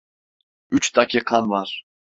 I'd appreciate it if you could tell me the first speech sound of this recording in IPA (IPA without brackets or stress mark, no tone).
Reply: y